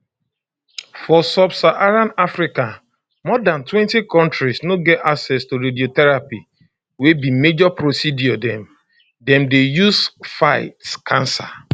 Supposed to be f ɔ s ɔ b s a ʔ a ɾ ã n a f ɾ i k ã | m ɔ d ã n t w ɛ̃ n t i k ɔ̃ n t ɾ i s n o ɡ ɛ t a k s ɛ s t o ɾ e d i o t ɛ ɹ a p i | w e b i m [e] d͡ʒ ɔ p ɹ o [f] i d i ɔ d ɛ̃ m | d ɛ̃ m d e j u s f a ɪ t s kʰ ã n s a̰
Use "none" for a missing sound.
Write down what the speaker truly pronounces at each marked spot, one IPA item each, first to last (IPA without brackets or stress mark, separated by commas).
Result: e, s